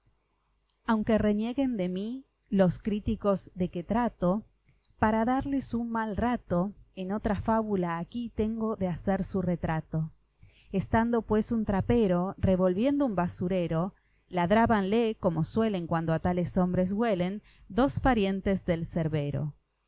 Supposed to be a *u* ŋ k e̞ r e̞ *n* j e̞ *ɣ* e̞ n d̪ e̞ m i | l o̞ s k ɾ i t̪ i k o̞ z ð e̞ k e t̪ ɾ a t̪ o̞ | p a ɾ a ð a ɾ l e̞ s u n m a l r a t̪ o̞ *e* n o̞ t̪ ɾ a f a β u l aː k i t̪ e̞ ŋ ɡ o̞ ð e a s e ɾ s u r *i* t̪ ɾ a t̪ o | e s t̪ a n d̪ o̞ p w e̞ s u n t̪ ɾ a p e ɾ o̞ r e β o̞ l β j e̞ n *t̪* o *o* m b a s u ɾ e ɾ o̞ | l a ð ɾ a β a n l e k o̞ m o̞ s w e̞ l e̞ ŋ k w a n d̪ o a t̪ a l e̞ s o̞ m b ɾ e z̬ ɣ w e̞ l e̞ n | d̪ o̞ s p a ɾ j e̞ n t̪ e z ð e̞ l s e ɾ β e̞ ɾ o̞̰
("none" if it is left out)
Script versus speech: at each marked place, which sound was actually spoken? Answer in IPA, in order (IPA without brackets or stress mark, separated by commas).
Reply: w, n, ɣ, e, e, d̪, u